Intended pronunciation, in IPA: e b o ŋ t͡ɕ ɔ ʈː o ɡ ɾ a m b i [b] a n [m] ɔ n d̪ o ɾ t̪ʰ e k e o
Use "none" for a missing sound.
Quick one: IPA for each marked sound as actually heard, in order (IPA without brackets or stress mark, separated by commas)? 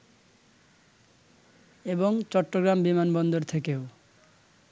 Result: m, b